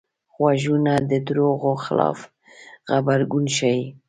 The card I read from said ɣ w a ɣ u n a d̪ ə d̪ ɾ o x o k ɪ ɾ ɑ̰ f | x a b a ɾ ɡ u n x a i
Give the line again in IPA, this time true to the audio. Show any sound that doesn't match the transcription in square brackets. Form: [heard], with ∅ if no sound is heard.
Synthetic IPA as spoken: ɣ w a [ʒ] u n a d̪ ə d̪ ɾ o [ɣ] o [x] ɪ [l] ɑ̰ f | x a b a ɾ ɡ u n [ʃ] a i

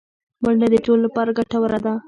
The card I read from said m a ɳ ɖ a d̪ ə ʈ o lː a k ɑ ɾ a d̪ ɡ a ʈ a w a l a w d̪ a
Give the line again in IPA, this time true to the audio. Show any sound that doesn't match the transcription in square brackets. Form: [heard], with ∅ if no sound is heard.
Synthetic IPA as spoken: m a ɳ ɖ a d̪ ə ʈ o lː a [p] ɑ ɾ a [∅] ɡ a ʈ a w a [ɾ] a [∅] d̪ a

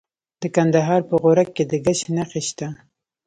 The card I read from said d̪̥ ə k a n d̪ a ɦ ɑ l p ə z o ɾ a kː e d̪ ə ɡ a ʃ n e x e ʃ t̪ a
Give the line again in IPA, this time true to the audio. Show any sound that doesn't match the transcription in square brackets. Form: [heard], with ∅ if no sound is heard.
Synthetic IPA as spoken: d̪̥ ə k a n d̪ a ɦ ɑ [ɾ] p ə [ɣ] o ɾ a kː e d̪ ə ɡ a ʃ n [a] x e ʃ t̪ a

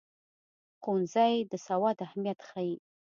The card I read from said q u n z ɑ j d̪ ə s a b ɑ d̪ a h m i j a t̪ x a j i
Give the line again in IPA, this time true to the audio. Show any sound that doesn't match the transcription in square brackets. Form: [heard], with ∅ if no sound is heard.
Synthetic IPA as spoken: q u n z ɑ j d̪ ə s a [w] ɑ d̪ a h m i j a t̪ x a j i

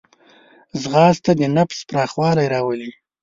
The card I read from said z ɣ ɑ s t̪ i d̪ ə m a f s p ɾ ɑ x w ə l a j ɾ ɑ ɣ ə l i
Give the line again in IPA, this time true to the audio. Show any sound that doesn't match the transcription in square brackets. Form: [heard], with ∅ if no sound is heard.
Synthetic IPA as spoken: z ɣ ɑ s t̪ [a] d̪ ə [n] a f s p ɾ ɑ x w [ɑ] l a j ɾ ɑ [w] ə l i

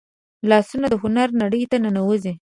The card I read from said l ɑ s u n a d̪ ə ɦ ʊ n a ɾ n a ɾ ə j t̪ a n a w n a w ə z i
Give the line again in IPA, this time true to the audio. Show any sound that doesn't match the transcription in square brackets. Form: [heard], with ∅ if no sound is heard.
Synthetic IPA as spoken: l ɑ s u n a d̪ ə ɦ ʊ n a ɾ n a [ɽ] ə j t̪ a n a [∅] n a w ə z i

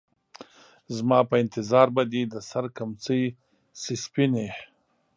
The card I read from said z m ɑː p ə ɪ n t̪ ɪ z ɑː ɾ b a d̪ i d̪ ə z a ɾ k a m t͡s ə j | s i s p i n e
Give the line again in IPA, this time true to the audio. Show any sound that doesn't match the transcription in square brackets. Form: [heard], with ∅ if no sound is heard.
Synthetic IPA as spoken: z m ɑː p ə ɪ n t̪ ɪ z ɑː ɾ b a d̪ i d̪ ə [s] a ɾ k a m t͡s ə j | s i s p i n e

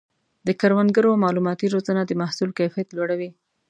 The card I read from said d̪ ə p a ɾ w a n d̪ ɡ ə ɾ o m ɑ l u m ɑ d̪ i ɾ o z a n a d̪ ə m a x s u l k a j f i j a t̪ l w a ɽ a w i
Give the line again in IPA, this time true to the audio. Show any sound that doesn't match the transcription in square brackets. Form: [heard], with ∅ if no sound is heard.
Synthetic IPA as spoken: d̪ ə [k] a ɾ w a n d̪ ɡ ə ɾ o m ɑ l u m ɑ [t̪] i ɾ o z a n a d̪ ə m a [h] s u l k a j f i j a t̪ l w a ɽ a w i

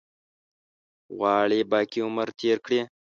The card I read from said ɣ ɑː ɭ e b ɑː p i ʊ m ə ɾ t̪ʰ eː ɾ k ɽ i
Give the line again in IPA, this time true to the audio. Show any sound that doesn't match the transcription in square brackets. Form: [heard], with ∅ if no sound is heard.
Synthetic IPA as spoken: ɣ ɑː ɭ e b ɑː [k] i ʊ m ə ɾ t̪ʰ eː ɾ k ɽ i

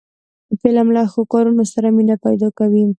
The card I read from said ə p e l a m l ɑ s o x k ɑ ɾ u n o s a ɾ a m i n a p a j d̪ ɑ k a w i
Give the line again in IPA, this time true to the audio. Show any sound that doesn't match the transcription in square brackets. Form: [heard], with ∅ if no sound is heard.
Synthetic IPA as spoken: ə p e l a m l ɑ [x] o [∅] k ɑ ɾ u n o s a ɾ a m i n a p a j d̪ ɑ k a w i

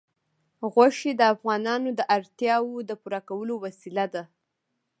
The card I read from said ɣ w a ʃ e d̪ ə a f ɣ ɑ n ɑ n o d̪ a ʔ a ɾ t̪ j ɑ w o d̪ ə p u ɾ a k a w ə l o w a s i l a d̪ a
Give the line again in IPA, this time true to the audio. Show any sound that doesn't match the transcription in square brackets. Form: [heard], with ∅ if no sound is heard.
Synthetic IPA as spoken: ɣ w a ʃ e d̪ ə a f ɣ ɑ n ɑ n o d̪ [ə] ʔ a ɾ t̪ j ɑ w o d̪ ə p u ɾ a k a w ə l o w a s i l a d̪ a

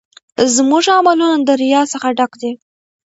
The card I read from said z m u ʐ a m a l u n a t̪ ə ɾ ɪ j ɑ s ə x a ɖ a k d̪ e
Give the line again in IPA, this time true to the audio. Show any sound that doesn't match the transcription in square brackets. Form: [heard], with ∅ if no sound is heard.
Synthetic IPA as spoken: z m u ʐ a m a l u n a [d̪] ə ɾ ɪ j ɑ s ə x a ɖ a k d̪ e

